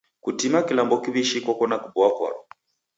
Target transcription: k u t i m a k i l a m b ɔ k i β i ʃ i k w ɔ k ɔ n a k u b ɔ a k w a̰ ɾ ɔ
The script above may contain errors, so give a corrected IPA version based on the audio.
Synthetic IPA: k u t i m a k i l a m b ɔ k i β i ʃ i k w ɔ k ɔ n a k u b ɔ a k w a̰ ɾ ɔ